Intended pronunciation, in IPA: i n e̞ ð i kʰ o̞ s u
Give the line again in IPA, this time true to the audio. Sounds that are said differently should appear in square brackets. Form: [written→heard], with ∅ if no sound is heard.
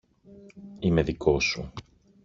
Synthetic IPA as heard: i [n→m] e̞ ð i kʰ o̞ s u

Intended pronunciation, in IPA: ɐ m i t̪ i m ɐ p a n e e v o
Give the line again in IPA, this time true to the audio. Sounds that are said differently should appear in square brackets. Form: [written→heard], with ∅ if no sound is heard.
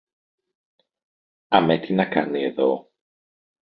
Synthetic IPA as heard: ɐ m [i→e] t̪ i [m→n] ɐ [p→k] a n [e→i] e [v→ð] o

